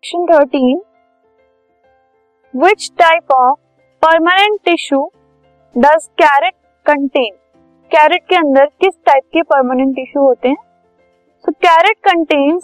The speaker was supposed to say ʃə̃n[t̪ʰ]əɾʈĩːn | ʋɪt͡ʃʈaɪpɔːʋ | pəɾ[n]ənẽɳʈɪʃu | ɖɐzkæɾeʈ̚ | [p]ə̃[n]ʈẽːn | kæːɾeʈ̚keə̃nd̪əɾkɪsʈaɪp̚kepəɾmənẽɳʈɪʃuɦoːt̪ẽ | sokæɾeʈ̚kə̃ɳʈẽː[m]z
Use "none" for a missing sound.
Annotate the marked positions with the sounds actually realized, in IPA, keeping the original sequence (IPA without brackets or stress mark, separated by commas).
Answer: t̪ʰ, m, k, ɳ, n